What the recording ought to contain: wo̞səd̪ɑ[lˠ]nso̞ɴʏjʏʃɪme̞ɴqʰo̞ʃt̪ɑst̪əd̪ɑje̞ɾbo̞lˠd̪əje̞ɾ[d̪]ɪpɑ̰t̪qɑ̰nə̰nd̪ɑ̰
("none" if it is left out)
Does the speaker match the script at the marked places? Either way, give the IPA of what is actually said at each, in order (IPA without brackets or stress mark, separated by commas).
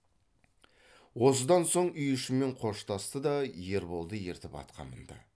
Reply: none, t̪